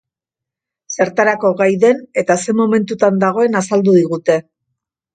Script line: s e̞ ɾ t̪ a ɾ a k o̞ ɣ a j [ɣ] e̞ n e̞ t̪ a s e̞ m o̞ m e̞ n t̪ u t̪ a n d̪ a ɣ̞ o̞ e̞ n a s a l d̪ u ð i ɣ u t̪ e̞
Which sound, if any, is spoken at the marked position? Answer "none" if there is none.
ð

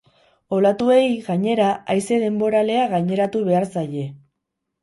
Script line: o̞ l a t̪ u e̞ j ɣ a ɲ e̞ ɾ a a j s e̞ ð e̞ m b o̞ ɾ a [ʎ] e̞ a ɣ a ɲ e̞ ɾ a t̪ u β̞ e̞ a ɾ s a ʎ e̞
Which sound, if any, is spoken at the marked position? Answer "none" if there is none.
l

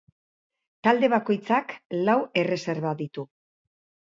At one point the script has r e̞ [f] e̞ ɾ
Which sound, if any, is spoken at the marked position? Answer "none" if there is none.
s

